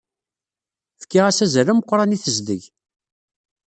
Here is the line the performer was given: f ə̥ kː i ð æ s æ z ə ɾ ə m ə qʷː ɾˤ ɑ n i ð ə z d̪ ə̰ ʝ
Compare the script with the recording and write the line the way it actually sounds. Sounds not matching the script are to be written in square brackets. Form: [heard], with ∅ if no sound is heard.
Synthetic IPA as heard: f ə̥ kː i [ʁ] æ s æ z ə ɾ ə m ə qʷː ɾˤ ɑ n i [θ] ə z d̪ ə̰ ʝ